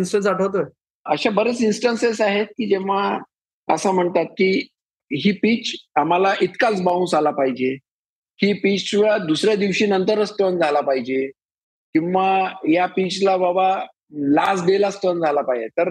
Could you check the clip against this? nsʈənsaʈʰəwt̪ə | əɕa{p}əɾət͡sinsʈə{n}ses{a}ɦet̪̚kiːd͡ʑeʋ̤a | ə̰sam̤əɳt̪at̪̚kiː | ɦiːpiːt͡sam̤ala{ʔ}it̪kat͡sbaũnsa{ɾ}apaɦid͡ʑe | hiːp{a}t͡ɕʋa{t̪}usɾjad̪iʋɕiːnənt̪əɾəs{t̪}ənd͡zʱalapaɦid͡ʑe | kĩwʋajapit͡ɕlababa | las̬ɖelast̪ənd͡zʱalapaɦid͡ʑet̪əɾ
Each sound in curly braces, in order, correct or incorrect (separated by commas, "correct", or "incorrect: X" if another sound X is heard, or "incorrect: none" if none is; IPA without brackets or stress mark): incorrect: b, correct, correct, correct, incorrect: l, incorrect: i, incorrect: d̪, correct